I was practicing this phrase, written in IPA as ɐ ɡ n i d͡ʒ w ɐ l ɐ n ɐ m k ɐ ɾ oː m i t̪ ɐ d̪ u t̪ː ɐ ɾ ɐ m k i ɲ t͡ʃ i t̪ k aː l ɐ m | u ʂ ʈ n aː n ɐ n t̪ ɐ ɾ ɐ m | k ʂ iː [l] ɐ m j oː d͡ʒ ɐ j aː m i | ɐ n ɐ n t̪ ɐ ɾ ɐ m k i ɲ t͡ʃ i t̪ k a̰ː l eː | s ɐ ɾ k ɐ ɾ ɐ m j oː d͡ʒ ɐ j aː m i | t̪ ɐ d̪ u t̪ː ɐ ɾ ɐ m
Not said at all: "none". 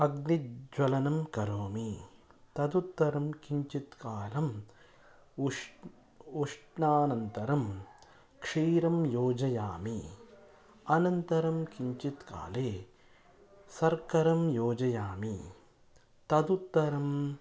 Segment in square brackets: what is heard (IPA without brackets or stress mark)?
ɾ